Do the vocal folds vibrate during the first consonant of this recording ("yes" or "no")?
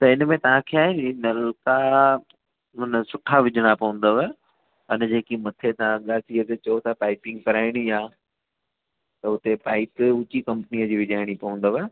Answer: no